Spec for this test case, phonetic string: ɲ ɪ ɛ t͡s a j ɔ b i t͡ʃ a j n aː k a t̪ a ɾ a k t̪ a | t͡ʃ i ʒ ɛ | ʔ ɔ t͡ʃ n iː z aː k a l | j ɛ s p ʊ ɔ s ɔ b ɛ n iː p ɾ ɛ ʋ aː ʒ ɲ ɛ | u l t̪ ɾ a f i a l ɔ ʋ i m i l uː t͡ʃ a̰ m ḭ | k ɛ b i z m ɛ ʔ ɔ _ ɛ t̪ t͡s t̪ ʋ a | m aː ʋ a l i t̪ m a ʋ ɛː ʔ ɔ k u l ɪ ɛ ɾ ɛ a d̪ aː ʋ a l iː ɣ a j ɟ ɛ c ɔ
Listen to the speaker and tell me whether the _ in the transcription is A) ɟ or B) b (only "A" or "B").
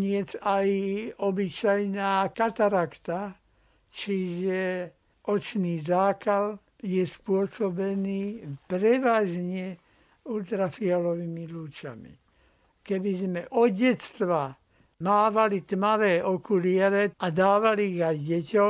A